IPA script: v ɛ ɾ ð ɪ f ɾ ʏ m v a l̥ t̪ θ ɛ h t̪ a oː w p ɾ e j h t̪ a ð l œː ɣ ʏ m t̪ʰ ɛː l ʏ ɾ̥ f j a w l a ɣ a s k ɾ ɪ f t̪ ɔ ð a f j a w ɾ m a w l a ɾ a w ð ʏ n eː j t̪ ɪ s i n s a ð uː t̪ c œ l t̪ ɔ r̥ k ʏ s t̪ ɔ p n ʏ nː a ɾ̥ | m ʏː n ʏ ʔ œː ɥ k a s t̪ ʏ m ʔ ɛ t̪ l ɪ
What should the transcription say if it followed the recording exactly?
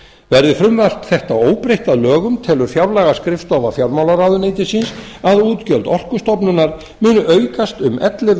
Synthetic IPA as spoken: v ɛ ɾ ð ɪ f ɾ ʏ m v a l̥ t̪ θ ɛ h t̪ a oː w p ɾ e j h t̪ a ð l œː ɣ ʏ m t̪ʰ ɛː l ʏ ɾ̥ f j a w l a ɣ a s k ɾ ɪ f t̪ ɔ v a f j a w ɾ m a w l a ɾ a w ð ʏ n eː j t̪ ɪ s i n s a ð uː t̪ c œ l t̪ ɔ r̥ k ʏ s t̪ ɔ p n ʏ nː a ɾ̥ | m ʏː n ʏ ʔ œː ɥ k a s t̪ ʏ m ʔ ɛ t̪ l ɪ